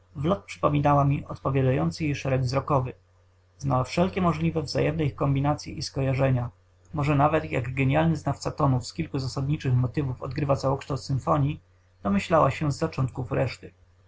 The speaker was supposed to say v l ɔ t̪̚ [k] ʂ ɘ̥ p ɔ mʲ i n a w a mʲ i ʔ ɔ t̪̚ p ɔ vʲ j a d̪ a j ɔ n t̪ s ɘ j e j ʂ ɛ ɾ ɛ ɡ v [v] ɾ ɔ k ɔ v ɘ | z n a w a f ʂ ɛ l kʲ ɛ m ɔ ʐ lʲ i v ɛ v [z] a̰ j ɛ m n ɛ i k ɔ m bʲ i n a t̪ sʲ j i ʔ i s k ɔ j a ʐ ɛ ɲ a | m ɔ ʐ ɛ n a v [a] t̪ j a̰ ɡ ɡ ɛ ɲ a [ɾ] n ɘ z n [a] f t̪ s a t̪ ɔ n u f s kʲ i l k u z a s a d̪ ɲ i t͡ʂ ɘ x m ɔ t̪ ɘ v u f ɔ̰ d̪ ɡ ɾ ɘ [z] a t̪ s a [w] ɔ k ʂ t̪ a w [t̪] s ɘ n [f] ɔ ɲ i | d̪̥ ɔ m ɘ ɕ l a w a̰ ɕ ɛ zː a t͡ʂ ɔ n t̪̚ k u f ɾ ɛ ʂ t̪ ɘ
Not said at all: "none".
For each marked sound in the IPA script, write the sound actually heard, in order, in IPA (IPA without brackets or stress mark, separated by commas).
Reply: p, z, z, ɛ, l, a, v, w, t̪, f